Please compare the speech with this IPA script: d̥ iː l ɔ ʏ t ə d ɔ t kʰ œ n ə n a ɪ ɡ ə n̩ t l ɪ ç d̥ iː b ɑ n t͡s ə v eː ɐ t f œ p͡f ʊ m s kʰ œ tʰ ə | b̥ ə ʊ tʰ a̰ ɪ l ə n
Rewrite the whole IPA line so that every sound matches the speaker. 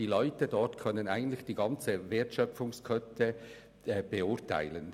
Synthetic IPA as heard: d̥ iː l ɔ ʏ t ə d ɔ t kʰ œ n ə n a ɪ ɡ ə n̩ t l ɪ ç d̥ iː ɡ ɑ n t͡s ə v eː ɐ t ʃ œ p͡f ʊ ŋ s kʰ œ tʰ ə | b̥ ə ʊ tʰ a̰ ɪ l ə n